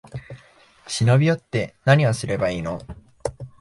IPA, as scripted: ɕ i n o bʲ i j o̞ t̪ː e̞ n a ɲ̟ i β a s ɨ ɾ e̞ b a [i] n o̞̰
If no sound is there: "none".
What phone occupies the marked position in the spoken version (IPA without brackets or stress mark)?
iː